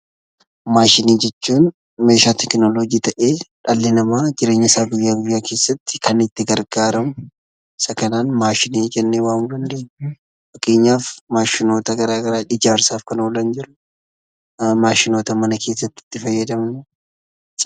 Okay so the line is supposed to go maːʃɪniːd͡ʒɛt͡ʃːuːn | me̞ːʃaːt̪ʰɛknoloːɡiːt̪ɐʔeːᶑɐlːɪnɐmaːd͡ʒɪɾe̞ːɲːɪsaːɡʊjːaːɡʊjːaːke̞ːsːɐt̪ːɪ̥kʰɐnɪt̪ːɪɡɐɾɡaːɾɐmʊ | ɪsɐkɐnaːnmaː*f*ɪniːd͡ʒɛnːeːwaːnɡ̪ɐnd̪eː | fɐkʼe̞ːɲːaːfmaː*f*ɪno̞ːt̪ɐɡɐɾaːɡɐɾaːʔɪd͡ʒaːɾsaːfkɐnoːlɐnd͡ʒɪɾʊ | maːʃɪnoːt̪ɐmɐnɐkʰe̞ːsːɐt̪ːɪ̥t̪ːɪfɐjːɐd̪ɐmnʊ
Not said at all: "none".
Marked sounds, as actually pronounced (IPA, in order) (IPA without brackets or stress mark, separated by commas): ʃ, ʃ